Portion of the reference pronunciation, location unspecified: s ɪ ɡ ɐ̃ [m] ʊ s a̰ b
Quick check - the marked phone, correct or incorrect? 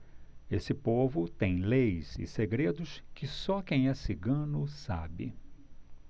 incorrect